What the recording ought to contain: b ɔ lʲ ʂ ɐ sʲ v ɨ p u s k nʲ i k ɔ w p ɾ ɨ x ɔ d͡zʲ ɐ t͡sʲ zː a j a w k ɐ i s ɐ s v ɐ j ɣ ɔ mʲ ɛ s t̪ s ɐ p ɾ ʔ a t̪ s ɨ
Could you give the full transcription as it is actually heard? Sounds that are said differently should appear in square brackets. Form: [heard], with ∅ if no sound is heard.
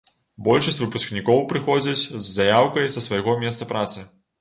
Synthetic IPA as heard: b ɔ lʲ ʂ ɐ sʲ v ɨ p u s k nʲ i k ɔ w p ɾ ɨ x ɔ d͡zʲ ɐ t͡sʲ zː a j a w k ɐ [j] s ɐ s v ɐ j ɣ ɔ mʲ ɛ s t̪ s ɐ p ɾ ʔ a t̪ s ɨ